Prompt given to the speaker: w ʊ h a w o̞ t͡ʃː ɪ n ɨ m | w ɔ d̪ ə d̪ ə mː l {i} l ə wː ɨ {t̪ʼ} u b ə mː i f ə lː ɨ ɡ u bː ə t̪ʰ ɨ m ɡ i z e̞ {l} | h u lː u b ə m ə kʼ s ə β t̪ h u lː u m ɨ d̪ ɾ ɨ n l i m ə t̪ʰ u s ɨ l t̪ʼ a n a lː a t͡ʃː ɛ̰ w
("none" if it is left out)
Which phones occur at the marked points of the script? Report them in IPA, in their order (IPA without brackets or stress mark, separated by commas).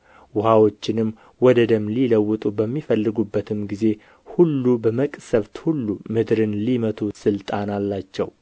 i, t̪ʼ, none